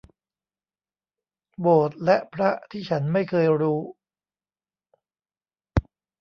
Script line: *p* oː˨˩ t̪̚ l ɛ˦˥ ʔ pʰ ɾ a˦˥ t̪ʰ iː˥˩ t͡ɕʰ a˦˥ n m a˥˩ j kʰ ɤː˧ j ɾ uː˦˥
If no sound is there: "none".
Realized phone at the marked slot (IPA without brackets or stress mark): b